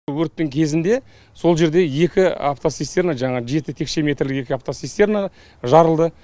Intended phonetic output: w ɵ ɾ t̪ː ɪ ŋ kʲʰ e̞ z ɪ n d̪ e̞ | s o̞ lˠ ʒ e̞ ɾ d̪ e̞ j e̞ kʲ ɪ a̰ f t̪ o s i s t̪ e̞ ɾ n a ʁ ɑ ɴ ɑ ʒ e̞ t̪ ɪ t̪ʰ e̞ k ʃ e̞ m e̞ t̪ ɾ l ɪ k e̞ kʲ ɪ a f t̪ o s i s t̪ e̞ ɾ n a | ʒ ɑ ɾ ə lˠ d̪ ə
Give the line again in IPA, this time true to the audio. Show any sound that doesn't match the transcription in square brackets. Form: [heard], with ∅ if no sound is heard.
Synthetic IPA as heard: w ɵ ɾ t̪ː ɪ ŋ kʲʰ e̞ z ɪ n d̪ e̞ | s o̞ lˠ ʒ e̞ ɾ d̪ e̞ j e̞ kʲ ɪ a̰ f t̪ o s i s t̪ e̞ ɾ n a [ʒ] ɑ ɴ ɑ ʒ e̞ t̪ ɪ t̪ʰ e̞ k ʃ e̞ m e̞ t̪ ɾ l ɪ k e̞ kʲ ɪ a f t̪ o s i s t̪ e̞ ɾ n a | ʒ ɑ ɾ ə lˠ d̪ ə